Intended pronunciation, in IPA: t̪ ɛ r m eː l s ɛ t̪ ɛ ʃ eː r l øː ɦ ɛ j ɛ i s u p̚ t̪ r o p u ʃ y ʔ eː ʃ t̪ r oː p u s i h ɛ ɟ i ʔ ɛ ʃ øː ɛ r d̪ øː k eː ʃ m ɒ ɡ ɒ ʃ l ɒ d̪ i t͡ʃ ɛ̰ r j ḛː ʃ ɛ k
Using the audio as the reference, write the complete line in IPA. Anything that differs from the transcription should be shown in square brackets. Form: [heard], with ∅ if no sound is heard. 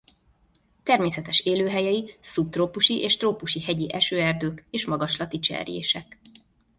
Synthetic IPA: t̪ ɛ r m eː [∅] s ɛ t̪ ɛ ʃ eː [∅] l øː ɦ ɛ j ɛ i s u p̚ t̪ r o p u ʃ [i] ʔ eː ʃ t̪ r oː p u [ʃ] i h ɛ ɟ i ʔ ɛ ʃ øː ɛ r d̪ øː k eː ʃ m ɒ ɡ ɒ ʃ l ɒ [t̪] i t͡ʃ ɛ̰ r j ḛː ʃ ɛ k